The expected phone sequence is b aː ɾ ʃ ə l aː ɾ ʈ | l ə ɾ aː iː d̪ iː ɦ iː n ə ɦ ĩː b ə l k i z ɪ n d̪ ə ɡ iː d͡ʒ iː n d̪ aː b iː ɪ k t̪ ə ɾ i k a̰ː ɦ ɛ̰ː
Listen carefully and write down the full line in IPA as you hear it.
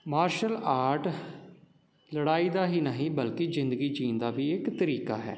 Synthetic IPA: m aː ɾ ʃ ə l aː ɾ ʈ | l ə ɽ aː iː d̪ aː ɦ iː n ə ɦ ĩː b ə l k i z ɪ n d̪ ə ɡ iː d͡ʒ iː n d̪ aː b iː ɪ k t̪ ə ɾ iː k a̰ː ɦ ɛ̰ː